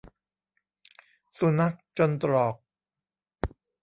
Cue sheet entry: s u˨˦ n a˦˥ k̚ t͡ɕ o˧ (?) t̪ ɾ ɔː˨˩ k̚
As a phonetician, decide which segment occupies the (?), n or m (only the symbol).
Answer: n